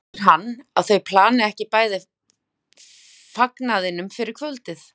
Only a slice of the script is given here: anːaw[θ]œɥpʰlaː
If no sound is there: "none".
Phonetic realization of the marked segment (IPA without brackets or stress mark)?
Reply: θ